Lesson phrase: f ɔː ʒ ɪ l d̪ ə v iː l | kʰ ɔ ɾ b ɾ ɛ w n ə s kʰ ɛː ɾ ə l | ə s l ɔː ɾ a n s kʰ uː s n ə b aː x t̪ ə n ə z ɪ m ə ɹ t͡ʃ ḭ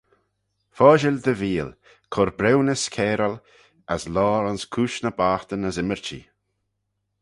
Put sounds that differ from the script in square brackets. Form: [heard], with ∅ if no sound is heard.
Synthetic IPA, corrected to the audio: f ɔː ʒ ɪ l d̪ ə v iː l | kʰ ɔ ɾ b ɾ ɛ w n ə s kʰ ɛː ɾ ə l | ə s l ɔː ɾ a n s kʰ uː [ʃ] n ə b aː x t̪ ə n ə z ɪ m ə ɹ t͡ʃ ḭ